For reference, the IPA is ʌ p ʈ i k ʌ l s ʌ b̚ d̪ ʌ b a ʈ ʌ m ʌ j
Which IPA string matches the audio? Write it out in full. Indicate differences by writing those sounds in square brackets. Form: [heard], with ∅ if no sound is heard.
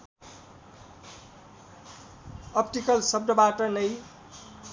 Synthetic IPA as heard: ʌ p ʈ i k ʌ l s ʌ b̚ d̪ ʌ b a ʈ ʌ [n] ʌ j